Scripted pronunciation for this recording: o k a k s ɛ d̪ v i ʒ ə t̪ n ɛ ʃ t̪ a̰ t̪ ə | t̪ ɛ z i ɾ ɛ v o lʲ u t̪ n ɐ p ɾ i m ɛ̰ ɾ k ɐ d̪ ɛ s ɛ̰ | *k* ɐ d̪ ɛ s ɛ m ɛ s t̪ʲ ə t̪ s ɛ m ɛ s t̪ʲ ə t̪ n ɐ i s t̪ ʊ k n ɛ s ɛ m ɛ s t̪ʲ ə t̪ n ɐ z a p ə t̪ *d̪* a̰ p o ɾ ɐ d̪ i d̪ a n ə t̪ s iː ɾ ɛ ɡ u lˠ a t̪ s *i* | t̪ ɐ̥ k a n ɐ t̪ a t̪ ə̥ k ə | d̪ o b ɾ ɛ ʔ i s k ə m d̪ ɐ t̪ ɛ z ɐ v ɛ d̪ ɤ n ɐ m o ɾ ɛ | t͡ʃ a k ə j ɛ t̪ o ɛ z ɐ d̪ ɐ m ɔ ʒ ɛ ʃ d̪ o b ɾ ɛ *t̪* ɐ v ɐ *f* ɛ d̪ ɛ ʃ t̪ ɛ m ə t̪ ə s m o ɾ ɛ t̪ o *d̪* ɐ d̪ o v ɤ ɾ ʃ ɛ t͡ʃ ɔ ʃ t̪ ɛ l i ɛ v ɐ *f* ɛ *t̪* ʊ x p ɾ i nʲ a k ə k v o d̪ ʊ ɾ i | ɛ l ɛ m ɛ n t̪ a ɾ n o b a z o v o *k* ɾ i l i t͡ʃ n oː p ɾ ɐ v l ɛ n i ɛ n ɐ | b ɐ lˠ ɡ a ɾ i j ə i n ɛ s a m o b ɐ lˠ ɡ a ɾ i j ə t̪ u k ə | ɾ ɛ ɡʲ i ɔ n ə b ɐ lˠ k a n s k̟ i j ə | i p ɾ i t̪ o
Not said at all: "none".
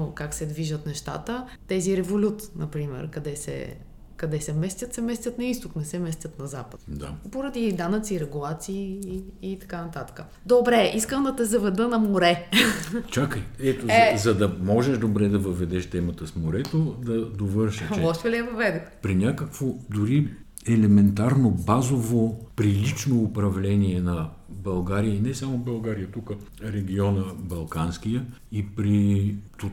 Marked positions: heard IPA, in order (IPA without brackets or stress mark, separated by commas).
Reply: k, d̪, iː, d̪, v, d̪, v, d̪, p